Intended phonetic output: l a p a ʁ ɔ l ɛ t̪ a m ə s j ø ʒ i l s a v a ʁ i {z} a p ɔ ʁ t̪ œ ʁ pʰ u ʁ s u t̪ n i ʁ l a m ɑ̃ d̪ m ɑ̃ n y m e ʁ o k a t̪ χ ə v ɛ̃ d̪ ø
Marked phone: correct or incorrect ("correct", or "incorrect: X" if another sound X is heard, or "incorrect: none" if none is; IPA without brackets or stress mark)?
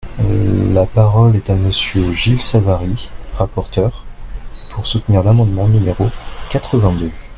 incorrect: ʁ